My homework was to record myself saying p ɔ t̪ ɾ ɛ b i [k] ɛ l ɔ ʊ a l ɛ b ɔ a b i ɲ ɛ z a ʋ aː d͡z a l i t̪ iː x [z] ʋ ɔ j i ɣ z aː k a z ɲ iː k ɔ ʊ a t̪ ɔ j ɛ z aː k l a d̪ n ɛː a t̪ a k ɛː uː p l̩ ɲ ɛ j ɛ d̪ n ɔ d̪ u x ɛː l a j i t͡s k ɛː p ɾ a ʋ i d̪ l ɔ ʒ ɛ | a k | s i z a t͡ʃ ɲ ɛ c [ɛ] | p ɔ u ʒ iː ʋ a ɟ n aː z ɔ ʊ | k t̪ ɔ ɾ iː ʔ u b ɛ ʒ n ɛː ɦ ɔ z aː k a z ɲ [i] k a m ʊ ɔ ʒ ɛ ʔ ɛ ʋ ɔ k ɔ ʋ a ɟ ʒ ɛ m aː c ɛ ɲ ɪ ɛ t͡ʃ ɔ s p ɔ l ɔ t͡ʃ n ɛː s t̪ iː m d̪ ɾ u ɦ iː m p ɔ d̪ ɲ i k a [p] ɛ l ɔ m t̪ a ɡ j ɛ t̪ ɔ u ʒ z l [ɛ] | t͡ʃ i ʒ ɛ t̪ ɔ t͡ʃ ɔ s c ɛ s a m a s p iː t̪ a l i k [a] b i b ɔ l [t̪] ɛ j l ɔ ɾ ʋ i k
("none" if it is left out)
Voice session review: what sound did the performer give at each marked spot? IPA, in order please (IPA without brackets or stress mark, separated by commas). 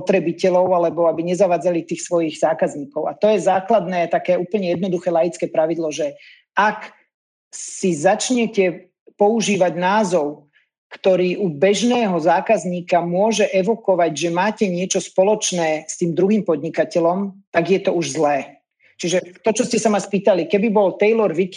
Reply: c, s, ɛ, iː, c, ɛː, ɛ, t̪